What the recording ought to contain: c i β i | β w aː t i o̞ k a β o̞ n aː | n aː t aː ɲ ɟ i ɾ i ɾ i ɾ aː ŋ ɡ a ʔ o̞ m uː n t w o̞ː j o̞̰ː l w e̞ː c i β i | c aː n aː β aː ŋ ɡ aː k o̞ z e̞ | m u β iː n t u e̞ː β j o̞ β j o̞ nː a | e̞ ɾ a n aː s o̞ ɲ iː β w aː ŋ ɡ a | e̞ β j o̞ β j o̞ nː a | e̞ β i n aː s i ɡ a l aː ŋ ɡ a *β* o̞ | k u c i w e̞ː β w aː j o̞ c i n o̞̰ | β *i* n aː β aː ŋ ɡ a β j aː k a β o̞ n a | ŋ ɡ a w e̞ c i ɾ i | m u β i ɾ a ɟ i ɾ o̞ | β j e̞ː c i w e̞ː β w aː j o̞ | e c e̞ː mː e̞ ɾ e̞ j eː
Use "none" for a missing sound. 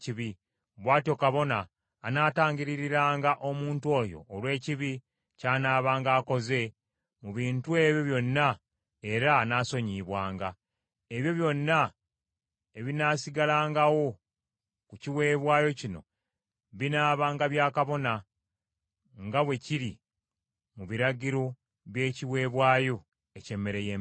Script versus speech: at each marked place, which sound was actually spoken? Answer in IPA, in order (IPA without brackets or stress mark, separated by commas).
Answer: w, i